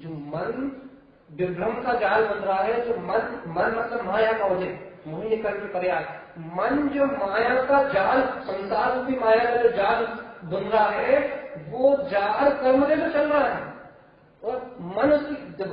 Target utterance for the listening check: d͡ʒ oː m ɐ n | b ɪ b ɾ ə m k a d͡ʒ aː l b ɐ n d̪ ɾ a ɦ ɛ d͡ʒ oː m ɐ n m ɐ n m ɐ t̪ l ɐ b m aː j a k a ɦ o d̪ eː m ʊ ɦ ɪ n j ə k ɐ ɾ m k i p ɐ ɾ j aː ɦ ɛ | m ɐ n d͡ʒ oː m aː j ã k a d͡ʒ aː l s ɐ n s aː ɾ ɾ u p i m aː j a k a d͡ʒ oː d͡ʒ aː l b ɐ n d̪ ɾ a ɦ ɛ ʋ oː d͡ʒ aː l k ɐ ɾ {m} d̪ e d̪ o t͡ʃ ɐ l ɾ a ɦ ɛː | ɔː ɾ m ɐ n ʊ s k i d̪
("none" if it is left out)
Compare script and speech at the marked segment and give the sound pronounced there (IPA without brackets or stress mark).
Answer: m